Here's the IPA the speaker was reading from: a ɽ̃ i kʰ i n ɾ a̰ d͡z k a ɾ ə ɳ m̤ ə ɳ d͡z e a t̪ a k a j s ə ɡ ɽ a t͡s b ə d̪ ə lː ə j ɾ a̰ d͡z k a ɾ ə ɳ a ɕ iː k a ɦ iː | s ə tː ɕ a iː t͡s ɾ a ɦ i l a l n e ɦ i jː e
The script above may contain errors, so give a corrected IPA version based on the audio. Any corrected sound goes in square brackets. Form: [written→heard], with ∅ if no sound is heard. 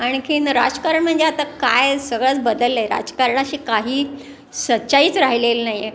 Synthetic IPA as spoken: a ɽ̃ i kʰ i n ɾ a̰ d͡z k a ɾ ə ɳ m̤ ə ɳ d͡z e a t̪ a k a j s ə ɡ [ɽ→ɭ] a t͡s b ə d̪ ə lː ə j ɾ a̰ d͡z k a ɾ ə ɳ a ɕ iː k a ɦ iː | s ə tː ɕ a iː t͡s ɾ a ɦ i l [a→e] l n [e→a] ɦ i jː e

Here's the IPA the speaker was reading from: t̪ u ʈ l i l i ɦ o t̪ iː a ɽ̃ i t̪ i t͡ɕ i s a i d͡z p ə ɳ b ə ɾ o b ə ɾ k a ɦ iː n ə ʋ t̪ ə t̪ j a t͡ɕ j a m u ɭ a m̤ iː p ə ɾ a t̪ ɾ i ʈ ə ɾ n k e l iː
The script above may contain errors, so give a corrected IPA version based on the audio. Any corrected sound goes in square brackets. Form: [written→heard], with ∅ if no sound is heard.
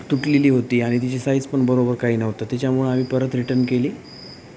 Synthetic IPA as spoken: t̪ u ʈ l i l [i→iː] ɦ o t̪ iː a ɽ̃ i t̪ i t͡ɕ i s a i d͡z p ə ɳ b ə ɾ o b ə ɾ k a ɦ iː n ə ʋ t̪ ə t̪ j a t͡ɕ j a m u ɭ a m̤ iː p ə ɾ [a→ə] t̪ ɾ i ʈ ə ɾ n k e l iː

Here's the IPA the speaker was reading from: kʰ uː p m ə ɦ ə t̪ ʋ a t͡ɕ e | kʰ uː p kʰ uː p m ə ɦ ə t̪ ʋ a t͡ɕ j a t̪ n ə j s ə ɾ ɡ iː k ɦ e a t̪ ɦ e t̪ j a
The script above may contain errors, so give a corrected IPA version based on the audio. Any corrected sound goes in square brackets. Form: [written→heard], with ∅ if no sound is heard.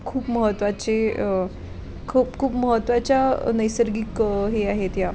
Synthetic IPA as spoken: kʰ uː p m ə ɦ ə t̪ ʋ a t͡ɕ e | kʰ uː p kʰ uː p m ə ɦ ə t̪ ʋ a t͡ɕ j a [t̪→∅] n ə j s ə ɾ ɡ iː k ɦ e a [t̪→∅] ɦ e t̪ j a

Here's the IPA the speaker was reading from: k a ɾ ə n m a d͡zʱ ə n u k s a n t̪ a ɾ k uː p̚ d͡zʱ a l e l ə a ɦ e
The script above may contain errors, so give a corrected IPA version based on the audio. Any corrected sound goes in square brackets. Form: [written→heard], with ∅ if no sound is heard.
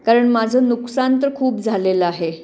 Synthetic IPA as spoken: k a ɾ ə [n→ɳ] m a d͡zʱ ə n u k s a n t̪ [a→ə] ɾ [k→kʰ] uː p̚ d͡zʱ a l e l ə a ɦ e

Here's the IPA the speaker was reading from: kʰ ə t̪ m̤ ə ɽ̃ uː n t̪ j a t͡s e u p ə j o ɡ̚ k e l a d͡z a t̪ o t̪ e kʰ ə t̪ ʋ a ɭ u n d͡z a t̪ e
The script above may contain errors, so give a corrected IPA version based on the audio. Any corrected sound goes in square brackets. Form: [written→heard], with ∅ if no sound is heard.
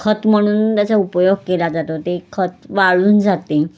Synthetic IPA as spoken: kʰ ə t̪ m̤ ə ɽ̃ uː n t̪ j a t͡s [e→a] u p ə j o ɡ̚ k e l a d͡z a t̪ o t̪ e kʰ ə t̪ ʋ a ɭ [u→uː] n d͡z a t̪ e

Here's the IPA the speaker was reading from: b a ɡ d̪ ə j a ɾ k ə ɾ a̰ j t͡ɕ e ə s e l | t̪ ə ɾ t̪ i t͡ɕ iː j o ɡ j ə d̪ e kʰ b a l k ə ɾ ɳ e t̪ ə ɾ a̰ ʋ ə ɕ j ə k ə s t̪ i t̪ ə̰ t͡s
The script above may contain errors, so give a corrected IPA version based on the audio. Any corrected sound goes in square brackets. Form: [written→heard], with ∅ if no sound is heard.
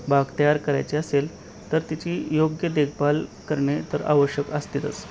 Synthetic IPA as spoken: b a ɡ [d̪→t̪] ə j a ɾ k ə ɾ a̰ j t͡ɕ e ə s e l | t̪ ə ɾ t̪ i t͡ɕ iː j o ɡ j ə d̪ e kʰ b a l k ə ɾ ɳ e t̪ ə ɾ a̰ ʋ ə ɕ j ə k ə s t̪ i t̪ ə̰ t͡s

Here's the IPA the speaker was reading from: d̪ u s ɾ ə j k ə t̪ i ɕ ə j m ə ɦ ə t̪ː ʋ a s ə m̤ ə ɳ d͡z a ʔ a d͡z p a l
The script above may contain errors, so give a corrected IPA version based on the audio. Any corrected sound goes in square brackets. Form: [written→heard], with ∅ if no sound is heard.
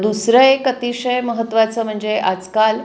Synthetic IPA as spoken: d̪ u s ɾ ə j k ə t̪ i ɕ ə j m ə ɦ ə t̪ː ʋ a [s→t͡s] ə m̤ ə ɳ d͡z [a→e] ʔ a d͡z [p→k] a l

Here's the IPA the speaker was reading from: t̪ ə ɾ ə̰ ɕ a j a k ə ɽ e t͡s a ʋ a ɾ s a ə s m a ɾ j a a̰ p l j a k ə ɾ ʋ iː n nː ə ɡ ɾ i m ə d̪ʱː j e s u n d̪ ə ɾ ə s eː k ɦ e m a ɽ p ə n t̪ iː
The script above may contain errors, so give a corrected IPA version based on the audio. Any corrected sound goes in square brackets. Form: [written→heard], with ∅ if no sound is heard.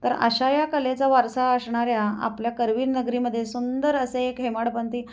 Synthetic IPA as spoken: t̪ ə ɾ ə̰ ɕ a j a k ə [ɽ→l] e t͡s a ʋ a ɾ s a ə s [m→ɳ] a ɾ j a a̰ p l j a k ə ɾ ʋ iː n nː ə ɡ ɾ i m ə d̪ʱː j e s u n d̪ ə ɾ ə s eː k ɦ e m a ɽ p ə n t̪ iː

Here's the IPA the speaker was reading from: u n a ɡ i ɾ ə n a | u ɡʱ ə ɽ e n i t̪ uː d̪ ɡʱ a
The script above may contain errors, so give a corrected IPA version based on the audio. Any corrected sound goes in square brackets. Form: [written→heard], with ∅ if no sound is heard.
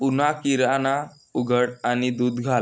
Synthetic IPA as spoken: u n a [ɡ→k] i ɾ [ə→a] n a | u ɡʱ ə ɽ [e→a] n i [t̪→d̪] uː d̪ ɡʱ a

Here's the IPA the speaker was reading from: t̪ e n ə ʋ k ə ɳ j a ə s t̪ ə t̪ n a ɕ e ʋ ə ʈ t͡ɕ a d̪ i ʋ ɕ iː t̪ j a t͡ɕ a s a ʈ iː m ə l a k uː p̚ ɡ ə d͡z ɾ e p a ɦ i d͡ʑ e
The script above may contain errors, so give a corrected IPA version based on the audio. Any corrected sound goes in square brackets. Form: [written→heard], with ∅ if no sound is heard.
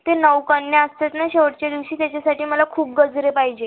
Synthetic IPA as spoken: t̪ e n ə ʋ k ə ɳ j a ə s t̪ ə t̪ n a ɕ e ʋ ə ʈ t͡ɕ a d̪ i ʋ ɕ iː t̪ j a t͡ɕ a s a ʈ iː m ə l a [k→kʰ] uː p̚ ɡ ə d͡z ɾ e p a ɦ i d͡ʑ e

